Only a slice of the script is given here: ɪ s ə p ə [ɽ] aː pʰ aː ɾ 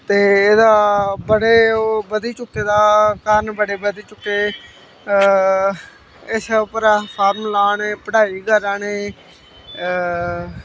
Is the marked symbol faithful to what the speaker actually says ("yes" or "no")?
no